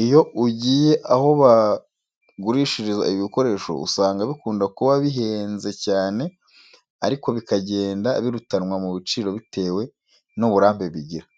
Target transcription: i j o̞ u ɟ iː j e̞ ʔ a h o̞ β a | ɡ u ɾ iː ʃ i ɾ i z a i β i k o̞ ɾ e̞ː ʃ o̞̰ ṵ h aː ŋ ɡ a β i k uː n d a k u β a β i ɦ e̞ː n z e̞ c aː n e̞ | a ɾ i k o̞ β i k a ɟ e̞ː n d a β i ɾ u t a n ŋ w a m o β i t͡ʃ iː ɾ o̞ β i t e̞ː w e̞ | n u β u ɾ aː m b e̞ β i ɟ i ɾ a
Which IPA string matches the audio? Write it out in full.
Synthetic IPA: i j o̞ u ɟ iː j e̞ ʔ a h o̞ β a | ɡ u ɾ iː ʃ i ɾ i z a i β i k o̞ ɾ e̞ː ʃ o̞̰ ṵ s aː ŋ ɡ a β i k uː n d a k u β a β i ɦ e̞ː n z e̞ c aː n e̞ | a ɾ i k o̞ β i k a ɟ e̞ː n d a β i ɾ u t a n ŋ w a m u β i t͡ʃ iː ɾ o̞ β i t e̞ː w e̞ | n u β u ɾ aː m b e̞ β i ɟ i ɾ a